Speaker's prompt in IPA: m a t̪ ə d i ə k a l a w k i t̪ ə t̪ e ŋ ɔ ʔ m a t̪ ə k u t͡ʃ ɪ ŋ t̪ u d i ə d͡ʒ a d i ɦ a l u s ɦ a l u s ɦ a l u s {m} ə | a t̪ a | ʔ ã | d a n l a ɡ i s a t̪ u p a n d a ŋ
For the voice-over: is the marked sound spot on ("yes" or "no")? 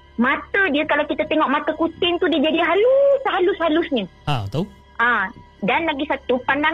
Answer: no